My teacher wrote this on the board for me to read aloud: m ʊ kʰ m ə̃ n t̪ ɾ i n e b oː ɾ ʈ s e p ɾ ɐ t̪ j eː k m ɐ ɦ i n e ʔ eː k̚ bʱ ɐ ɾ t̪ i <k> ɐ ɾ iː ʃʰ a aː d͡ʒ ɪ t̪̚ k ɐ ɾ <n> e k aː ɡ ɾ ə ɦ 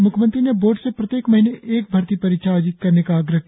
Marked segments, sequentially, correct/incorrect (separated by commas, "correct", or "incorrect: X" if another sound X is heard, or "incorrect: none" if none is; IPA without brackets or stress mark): incorrect: p, correct